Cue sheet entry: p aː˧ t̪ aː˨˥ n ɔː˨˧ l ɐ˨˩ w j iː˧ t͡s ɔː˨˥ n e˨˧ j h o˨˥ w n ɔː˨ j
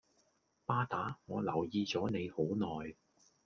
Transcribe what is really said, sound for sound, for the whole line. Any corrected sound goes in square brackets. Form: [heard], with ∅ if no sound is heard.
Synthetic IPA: p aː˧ t̪ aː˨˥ [ŋ] ɔː˨˧ l ɐ˨˩ w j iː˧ t͡s ɔː˨˥ n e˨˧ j h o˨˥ w n ɔː˨ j